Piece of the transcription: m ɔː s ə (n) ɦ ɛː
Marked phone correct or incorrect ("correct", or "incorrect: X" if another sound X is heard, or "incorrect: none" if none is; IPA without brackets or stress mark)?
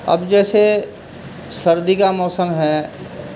incorrect: m